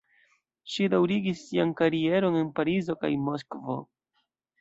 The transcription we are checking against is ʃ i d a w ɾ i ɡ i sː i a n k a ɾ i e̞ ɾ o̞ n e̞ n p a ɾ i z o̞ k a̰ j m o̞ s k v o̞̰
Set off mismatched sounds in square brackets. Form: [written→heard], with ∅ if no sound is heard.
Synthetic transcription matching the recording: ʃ i d a w ɾ i ɡ i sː i a n k a ɾ i e̞ ɾ o̞ n e̞ n p a ɾ i z o̞ k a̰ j m o̞ s k v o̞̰